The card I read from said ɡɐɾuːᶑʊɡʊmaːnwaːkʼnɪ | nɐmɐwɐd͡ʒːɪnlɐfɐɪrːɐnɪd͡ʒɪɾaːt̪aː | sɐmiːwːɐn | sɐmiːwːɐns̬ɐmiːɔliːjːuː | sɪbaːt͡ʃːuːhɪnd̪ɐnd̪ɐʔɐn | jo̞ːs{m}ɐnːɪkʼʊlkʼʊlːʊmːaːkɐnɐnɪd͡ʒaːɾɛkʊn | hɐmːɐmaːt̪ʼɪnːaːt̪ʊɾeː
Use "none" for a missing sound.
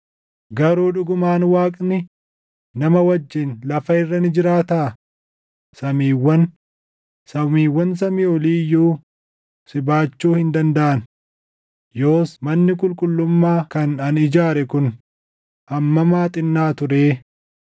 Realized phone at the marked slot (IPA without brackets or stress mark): m